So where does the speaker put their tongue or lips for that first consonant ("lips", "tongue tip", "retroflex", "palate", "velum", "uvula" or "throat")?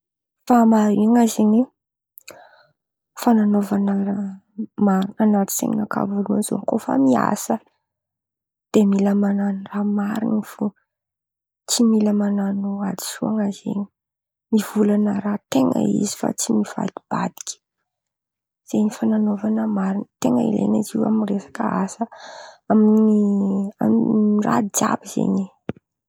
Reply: lips